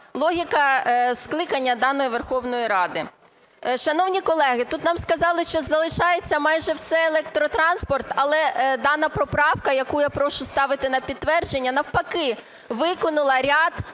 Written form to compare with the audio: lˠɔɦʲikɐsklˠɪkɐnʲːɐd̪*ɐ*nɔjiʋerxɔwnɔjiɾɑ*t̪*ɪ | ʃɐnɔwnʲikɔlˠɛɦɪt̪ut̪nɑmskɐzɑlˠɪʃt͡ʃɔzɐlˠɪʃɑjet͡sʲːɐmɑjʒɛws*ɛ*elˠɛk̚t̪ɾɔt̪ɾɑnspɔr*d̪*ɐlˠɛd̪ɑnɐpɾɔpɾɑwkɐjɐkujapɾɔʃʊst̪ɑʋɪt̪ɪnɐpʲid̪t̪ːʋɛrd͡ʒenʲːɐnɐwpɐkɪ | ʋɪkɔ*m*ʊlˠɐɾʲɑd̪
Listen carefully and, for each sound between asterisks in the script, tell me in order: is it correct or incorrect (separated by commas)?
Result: incorrect, incorrect, correct, incorrect, incorrect